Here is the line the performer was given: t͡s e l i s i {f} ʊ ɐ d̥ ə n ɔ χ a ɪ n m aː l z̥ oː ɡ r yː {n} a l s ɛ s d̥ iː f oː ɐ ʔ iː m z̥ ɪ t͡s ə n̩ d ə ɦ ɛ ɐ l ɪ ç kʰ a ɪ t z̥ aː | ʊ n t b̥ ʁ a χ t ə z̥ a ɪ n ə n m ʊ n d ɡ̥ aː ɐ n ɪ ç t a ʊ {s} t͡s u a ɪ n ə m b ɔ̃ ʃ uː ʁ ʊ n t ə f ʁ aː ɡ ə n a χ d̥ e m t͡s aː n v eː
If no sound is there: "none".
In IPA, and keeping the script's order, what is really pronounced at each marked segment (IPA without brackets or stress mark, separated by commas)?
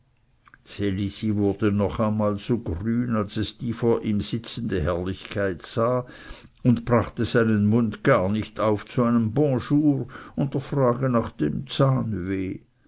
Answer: v, n, f